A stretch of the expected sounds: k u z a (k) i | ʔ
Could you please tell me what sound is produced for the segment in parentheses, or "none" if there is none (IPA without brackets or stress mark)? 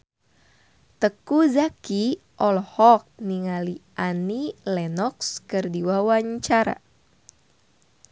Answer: k